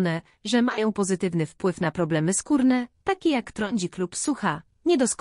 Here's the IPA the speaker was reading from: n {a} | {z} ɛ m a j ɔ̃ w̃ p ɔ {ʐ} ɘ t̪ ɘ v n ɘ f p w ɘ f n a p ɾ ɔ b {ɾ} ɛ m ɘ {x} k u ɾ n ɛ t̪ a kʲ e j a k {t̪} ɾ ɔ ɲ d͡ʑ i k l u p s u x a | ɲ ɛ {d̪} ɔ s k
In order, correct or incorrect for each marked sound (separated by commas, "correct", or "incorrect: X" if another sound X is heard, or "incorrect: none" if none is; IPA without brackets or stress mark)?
incorrect: ɛ, incorrect: ʐ, incorrect: z, incorrect: l, incorrect: s, correct, correct